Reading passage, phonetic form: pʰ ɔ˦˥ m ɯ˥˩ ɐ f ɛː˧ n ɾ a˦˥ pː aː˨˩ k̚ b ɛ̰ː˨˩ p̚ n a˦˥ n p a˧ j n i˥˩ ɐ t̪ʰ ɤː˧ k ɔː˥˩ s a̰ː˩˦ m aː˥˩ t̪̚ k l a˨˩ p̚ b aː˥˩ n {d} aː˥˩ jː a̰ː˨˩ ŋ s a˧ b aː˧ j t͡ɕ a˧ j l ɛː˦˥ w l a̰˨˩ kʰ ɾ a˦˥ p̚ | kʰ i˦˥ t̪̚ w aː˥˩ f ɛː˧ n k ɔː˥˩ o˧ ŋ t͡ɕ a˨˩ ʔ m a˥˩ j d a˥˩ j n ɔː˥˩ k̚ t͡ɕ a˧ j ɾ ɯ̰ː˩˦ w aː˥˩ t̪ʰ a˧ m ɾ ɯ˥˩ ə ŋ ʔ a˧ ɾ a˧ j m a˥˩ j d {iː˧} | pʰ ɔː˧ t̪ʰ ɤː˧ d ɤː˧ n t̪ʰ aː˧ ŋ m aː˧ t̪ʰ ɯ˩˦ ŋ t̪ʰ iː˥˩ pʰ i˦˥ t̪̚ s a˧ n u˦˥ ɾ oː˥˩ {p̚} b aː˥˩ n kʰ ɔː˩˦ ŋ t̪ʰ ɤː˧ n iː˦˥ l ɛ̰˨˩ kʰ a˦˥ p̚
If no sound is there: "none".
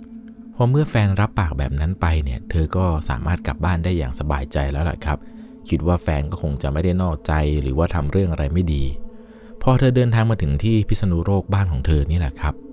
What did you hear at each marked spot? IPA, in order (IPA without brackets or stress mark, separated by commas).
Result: d, iː˧, k̚